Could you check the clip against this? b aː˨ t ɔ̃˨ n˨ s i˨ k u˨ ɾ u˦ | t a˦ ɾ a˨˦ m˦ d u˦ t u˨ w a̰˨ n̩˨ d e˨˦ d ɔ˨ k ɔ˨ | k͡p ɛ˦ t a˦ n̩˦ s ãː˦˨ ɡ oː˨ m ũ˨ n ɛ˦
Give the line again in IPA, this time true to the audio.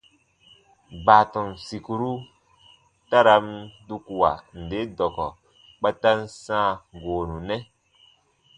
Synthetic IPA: b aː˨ t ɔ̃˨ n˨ s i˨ k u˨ ɾ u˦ | t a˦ ɾ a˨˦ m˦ d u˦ k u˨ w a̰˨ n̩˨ d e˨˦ d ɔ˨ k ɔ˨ | k͡p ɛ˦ t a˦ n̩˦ s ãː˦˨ ɡ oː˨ n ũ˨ n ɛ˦

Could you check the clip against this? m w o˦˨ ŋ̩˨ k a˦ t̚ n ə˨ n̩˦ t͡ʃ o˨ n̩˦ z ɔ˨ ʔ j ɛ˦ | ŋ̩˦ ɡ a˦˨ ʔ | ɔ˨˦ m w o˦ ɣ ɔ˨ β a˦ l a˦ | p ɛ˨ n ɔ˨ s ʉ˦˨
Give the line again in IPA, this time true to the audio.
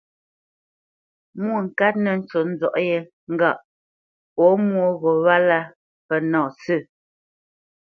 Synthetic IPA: m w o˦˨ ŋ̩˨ k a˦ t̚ n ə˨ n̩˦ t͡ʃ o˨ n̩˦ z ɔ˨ ʔ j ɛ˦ | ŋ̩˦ ɡ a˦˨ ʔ | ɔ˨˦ m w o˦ ɣ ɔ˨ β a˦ l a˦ | p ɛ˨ n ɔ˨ s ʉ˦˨

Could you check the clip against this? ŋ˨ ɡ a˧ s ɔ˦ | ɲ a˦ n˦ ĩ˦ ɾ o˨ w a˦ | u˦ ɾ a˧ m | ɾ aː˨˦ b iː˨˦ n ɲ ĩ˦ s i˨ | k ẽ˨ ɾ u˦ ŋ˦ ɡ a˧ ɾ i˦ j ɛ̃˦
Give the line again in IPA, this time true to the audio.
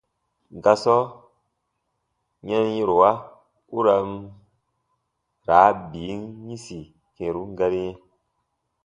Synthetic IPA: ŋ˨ ɡ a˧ s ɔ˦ | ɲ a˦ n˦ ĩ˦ ɾ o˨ w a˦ | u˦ ɾ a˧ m | ɾ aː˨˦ b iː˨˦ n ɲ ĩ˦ s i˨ | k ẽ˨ ɾ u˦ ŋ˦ ɡ a˧ ɾ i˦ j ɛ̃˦

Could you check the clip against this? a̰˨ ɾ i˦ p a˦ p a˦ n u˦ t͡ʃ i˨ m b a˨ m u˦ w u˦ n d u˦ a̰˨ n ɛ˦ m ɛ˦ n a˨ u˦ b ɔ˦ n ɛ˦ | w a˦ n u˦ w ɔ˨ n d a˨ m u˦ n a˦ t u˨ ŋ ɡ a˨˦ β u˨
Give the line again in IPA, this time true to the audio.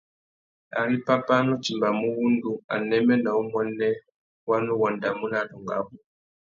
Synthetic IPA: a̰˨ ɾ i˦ p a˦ p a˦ n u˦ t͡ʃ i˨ m b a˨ m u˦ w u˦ n d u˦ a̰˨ n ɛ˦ m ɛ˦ n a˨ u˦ m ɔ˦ n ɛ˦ | w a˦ n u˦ w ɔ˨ n d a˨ m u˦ n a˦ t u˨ ŋ ɡ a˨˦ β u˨

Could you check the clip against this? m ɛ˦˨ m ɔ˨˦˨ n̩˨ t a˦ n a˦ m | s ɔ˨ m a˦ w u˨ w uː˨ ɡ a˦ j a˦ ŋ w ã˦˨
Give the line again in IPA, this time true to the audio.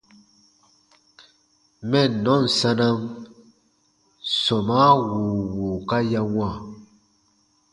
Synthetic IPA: m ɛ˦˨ n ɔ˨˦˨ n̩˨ s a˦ n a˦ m | s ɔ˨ m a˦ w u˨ w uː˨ k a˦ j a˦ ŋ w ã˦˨

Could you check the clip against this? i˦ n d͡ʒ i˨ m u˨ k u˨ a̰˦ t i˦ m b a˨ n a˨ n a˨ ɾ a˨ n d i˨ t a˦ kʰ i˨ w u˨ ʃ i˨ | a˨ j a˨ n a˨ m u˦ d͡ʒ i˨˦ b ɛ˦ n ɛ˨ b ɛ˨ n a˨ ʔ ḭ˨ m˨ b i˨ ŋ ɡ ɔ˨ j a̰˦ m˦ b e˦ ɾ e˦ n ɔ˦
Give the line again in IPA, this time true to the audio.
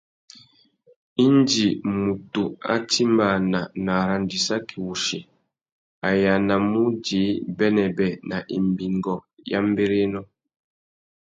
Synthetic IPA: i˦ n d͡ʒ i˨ m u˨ t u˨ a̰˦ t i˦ m b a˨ n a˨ n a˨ ɾ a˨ n d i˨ s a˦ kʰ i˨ w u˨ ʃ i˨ | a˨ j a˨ n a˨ m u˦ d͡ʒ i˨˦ b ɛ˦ n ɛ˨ b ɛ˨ n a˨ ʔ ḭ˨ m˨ b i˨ ŋ ɡ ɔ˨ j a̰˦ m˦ b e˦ ɾ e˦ n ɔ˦

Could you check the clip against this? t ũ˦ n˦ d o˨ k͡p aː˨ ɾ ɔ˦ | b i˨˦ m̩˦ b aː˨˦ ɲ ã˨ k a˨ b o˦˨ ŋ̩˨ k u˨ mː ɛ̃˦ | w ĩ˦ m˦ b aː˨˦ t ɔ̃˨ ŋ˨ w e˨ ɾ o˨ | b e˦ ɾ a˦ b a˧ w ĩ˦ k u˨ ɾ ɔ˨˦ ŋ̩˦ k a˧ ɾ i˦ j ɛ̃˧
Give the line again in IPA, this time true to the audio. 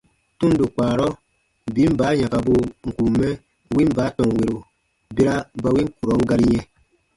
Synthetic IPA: t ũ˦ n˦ d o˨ k͡p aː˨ ɾ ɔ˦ | b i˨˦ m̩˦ b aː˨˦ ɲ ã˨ k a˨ b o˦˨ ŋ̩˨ k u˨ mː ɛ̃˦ | w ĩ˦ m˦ b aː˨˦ t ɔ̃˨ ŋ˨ w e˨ ɾ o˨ | b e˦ ɾ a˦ b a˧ w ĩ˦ k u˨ ɾ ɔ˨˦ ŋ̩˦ ɡ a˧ ɾ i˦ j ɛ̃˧

